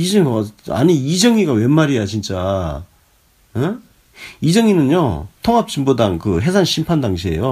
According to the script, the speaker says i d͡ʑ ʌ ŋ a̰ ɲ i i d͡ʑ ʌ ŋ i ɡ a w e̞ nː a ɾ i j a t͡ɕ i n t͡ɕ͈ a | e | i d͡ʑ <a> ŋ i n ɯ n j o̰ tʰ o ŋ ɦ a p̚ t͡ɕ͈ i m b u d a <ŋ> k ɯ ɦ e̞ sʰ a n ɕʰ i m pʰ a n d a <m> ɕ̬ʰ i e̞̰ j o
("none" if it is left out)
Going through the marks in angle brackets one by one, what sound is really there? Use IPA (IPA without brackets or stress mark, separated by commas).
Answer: ʌ, ŋ, ŋ